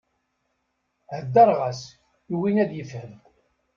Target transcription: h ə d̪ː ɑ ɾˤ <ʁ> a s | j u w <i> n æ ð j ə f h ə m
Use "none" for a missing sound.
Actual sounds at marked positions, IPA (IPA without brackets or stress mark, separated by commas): ʁ, i